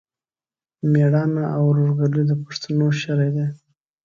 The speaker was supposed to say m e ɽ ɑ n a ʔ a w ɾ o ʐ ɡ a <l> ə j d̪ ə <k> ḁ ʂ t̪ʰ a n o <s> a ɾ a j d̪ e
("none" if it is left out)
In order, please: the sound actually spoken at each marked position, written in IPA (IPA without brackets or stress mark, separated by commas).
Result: l, p, ʃ